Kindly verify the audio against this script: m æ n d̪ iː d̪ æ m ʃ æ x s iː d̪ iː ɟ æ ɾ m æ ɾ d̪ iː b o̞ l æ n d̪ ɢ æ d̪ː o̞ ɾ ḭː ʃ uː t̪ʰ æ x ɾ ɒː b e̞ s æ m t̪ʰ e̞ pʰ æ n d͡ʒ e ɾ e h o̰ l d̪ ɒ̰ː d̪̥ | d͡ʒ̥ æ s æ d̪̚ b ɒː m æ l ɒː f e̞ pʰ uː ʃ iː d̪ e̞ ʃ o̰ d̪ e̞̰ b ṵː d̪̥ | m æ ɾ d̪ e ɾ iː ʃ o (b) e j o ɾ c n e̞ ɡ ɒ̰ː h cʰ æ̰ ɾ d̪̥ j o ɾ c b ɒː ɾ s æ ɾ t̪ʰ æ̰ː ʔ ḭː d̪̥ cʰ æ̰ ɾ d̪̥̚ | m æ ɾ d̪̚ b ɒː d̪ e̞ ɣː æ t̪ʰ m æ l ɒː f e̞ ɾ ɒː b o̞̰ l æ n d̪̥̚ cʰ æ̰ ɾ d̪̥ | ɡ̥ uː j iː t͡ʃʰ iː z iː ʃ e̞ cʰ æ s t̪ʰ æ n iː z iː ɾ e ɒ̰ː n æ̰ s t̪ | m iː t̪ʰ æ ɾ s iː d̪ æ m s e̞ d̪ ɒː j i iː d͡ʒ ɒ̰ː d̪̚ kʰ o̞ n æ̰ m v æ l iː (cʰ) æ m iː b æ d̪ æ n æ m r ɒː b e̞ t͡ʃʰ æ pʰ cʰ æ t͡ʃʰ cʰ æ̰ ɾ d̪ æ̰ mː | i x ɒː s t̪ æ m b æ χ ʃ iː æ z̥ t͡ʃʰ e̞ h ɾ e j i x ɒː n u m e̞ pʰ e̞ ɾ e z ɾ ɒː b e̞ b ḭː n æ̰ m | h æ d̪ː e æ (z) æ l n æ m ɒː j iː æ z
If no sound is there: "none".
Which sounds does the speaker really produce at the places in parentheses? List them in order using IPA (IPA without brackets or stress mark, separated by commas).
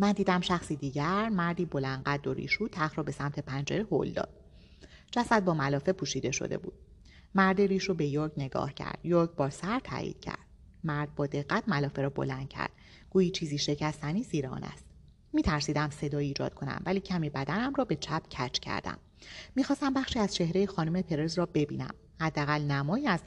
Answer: b, cʰ, ɣ